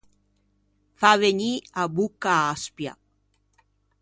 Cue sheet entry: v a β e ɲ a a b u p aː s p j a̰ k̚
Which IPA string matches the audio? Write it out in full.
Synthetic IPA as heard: f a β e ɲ i a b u k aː s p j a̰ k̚